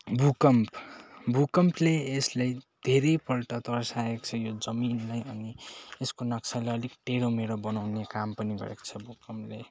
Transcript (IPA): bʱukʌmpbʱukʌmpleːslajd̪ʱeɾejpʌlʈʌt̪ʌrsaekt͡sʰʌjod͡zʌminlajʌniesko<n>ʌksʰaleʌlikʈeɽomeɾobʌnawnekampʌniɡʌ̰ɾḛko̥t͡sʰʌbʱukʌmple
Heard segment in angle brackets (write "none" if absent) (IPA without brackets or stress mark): n